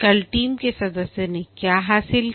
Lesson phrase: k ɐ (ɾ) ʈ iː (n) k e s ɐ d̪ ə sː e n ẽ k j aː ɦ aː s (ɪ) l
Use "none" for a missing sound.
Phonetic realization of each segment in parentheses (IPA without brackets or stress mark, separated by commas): l, m, ɪ